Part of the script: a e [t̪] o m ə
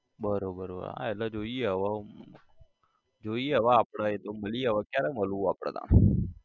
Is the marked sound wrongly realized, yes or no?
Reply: no